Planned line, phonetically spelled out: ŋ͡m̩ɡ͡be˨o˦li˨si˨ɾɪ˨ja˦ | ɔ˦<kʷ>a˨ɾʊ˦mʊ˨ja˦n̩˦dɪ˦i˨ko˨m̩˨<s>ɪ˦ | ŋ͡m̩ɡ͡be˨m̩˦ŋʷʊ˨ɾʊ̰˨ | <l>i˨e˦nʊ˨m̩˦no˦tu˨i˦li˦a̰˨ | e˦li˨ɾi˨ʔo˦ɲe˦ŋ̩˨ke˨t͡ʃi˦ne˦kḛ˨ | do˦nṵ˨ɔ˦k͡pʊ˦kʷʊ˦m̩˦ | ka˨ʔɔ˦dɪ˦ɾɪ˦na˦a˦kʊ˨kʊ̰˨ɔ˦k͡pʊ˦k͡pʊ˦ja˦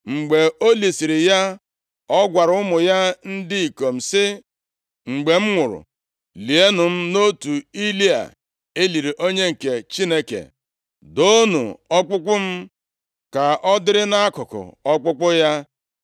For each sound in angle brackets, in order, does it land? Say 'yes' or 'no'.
no, yes, yes

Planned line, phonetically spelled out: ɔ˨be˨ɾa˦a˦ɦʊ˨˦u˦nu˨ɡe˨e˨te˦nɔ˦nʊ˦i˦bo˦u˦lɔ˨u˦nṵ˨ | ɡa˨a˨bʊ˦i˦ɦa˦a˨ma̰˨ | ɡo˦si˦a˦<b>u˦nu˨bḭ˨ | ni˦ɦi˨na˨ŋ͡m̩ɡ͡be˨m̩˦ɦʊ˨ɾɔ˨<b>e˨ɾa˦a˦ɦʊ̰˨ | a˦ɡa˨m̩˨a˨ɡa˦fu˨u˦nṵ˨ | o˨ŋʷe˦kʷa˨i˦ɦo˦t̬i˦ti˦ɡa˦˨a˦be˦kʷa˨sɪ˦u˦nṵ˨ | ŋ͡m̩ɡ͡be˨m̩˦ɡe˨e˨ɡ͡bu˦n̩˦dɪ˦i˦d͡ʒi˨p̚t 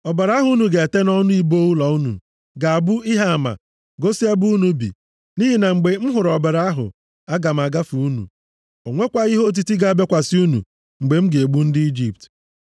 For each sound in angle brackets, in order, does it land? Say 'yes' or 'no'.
yes, yes

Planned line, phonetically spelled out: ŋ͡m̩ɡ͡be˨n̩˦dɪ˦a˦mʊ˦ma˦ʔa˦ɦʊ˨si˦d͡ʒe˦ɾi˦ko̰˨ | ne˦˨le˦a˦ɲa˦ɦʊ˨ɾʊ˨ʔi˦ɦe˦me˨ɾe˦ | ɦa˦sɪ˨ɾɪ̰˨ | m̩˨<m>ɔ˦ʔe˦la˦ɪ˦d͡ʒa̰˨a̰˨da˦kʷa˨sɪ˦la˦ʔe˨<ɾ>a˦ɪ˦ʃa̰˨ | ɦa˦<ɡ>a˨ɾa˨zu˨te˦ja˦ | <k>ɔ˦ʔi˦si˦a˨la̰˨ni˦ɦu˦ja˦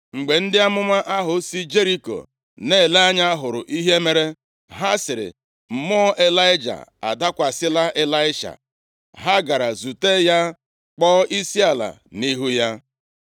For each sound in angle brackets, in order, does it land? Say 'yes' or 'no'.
yes, no, yes, no

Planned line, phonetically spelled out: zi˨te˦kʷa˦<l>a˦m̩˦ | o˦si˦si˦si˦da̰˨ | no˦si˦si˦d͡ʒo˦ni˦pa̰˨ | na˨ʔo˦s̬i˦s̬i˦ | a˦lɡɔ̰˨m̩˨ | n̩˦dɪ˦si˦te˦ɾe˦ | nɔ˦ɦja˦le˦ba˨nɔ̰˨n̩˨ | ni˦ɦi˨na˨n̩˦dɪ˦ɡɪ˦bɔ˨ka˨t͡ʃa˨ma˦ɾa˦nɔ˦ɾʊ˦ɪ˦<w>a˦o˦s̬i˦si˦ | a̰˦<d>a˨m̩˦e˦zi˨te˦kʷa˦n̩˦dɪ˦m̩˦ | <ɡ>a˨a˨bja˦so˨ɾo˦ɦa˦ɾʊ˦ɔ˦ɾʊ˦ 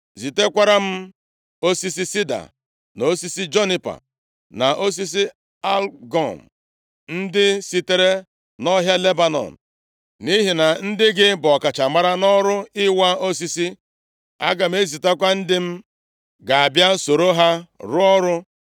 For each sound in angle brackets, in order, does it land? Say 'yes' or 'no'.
no, yes, no, yes

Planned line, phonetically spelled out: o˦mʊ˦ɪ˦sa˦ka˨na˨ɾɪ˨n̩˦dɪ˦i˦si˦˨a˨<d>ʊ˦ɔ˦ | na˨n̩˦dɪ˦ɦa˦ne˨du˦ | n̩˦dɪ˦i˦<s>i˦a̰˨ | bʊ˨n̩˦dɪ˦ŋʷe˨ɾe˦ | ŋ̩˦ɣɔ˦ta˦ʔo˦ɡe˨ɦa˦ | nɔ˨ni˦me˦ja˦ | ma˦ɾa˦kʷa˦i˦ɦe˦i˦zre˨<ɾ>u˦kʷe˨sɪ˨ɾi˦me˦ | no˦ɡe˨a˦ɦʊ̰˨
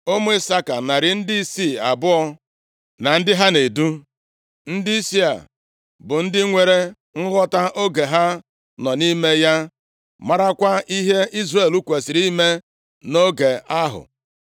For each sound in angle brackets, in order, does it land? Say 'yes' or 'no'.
no, yes, no

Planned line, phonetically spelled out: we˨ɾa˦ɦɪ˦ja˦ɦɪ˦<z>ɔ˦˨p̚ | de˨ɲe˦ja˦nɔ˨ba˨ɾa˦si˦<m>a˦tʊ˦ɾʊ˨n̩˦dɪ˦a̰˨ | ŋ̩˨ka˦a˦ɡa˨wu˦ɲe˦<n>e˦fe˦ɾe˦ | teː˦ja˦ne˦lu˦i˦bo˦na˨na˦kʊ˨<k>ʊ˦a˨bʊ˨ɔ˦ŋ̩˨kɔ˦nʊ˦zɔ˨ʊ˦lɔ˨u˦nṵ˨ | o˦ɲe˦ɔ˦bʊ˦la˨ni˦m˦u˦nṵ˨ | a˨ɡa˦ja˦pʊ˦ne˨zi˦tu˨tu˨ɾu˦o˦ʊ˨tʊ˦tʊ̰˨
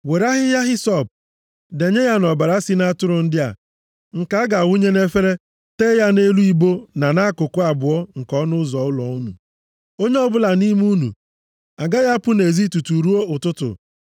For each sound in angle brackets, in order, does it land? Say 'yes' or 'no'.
no, no, yes, yes

